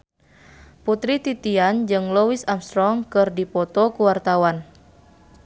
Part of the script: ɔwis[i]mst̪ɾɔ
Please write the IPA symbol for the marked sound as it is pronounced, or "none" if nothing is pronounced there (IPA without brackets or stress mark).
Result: a